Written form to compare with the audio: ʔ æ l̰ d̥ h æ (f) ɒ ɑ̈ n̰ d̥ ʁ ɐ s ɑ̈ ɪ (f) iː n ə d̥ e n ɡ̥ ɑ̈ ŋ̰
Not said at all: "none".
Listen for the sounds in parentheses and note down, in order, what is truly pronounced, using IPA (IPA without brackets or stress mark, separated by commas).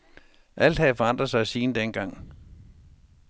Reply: f, s